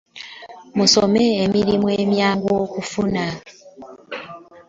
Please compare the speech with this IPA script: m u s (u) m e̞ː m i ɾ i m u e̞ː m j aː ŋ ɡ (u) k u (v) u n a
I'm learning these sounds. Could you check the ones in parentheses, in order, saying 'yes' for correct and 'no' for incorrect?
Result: no, no, no

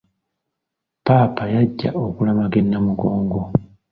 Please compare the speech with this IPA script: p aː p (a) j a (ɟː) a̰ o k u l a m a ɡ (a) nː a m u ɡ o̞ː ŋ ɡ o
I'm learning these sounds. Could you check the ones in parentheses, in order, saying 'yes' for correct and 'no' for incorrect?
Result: yes, yes, no

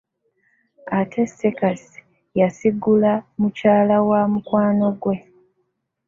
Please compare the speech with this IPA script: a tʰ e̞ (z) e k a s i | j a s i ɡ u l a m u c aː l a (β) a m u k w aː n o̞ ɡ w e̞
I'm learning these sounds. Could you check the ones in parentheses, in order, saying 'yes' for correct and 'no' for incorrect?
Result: no, no

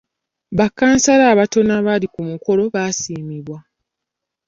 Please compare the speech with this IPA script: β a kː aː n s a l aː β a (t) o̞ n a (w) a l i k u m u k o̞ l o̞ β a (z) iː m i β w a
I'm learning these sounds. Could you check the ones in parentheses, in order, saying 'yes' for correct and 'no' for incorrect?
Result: yes, no, no

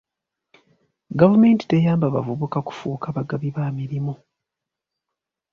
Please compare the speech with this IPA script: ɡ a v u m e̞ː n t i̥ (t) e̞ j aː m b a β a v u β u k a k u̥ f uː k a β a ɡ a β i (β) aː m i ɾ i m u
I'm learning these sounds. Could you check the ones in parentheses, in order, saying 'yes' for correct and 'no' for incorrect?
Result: yes, yes

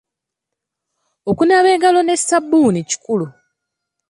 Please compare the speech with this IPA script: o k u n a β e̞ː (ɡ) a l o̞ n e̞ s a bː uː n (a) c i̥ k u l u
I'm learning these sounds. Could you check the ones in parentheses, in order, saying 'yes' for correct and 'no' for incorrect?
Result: yes, no

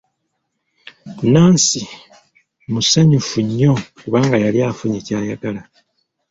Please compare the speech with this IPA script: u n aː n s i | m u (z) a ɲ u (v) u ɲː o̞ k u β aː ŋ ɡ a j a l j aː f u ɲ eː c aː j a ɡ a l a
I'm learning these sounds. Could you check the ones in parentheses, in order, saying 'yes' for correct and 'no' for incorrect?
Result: no, no

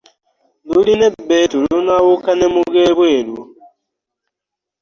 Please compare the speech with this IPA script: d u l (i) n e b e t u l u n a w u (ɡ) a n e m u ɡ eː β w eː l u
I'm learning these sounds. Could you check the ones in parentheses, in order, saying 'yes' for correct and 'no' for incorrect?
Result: yes, no

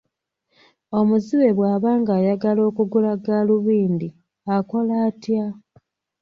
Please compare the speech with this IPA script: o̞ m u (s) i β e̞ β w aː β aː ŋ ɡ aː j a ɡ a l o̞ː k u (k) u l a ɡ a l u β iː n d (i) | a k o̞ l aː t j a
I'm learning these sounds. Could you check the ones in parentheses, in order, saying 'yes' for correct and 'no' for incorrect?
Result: no, no, yes

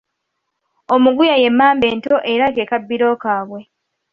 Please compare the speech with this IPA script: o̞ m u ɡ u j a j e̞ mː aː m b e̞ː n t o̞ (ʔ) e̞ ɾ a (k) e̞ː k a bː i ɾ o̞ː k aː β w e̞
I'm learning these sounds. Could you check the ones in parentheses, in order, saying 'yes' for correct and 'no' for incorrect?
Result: yes, yes

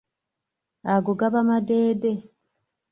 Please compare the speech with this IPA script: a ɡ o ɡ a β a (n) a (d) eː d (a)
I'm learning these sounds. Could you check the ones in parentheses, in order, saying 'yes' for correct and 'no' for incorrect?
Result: no, yes, no

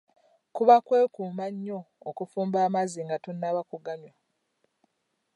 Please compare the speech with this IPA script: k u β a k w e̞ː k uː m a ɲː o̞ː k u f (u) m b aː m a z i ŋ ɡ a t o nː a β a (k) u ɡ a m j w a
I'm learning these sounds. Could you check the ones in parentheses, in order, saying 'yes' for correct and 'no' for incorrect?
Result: no, yes

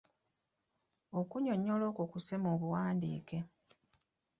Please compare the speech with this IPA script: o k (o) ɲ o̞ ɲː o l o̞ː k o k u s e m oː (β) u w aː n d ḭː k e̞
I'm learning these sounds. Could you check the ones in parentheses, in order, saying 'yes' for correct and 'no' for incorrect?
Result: no, yes

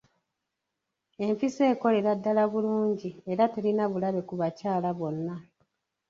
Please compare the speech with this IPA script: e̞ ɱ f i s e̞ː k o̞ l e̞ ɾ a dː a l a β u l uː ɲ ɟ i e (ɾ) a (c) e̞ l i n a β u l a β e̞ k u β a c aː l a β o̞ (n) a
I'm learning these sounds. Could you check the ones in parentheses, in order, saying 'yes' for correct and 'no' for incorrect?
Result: yes, no, no

